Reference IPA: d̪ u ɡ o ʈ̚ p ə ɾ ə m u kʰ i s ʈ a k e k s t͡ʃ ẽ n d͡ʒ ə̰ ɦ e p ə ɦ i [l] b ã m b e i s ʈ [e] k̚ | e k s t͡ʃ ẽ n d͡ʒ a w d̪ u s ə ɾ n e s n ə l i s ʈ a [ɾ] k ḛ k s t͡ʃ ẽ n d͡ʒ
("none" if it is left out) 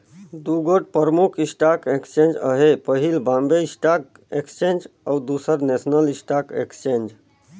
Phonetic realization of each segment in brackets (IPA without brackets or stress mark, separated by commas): l, a, none